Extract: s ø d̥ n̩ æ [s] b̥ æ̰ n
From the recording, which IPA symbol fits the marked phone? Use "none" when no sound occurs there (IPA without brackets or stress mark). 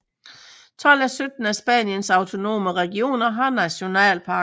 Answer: s